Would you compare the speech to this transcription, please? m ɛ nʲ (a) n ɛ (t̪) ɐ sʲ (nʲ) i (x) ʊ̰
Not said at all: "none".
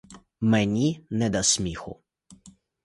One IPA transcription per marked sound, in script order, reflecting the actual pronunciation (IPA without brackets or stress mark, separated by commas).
i, d̪, mʲ, x